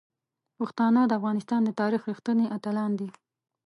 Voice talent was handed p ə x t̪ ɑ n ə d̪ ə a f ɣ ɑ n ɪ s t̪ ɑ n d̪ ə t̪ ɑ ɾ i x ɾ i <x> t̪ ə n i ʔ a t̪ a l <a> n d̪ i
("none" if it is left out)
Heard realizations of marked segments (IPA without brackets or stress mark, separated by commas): x, ɑ